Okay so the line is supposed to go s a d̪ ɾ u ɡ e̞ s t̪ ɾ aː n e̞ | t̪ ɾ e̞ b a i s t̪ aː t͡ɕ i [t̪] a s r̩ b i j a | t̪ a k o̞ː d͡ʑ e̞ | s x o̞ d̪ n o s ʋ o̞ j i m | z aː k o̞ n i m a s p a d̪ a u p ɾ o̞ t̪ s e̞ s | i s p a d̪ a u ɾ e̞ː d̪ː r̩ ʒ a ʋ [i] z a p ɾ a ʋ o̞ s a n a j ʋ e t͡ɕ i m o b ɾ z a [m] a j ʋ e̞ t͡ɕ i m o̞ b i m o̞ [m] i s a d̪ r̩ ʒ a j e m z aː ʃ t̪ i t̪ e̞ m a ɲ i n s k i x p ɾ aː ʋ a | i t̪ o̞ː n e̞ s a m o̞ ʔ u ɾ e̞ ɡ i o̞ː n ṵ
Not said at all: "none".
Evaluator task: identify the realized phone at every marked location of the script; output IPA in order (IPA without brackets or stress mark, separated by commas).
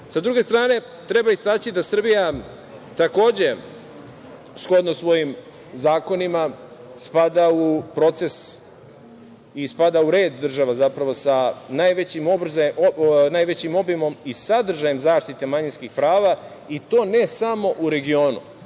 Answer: d̪, a, n, m